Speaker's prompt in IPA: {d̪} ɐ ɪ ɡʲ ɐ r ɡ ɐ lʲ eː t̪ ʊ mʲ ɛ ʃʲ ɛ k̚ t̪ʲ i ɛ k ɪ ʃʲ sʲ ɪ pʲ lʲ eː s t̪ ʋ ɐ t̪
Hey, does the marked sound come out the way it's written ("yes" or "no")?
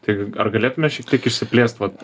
no